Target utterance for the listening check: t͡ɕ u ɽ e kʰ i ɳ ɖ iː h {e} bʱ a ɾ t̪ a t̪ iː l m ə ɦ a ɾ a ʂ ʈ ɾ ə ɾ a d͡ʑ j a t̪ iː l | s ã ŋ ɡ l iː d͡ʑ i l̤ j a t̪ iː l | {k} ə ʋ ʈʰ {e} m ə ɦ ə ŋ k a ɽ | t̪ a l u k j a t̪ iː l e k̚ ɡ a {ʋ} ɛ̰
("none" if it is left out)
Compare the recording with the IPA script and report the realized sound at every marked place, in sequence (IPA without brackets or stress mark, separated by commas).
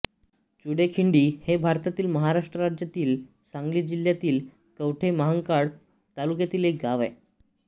e, k, e, ʋ